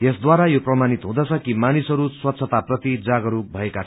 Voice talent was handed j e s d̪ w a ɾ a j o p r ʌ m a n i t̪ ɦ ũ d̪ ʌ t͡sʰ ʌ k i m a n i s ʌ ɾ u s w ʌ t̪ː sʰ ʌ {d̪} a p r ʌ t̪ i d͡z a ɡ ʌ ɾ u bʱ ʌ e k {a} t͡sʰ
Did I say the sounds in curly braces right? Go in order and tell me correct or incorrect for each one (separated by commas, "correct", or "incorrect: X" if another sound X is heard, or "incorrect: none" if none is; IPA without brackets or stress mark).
incorrect: t̪, correct